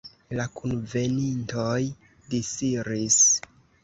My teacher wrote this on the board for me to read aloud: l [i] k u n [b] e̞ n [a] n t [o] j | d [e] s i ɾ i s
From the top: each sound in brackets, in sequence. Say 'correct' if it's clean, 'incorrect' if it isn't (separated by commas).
incorrect, incorrect, incorrect, correct, incorrect